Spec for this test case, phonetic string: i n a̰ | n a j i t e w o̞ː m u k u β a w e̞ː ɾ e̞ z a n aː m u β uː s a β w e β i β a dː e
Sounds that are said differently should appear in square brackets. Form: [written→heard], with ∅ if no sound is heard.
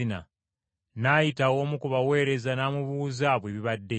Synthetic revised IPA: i n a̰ | n a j i t [e→a] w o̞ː m u k u β a w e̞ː ɾ e̞ z a n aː m u β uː [s→z] a β w e β i β a dː e